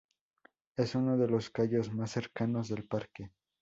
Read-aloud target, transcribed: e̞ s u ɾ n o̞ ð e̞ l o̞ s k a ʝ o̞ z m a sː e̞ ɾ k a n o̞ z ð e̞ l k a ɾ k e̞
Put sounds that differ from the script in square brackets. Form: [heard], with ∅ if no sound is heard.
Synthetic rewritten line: e̞ s u [∅] n o̞ ð e̞ l o̞ s k a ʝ o̞ z m a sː e̞ ɾ k a n o̞ z ð e̞ l [p] a ɾ k e̞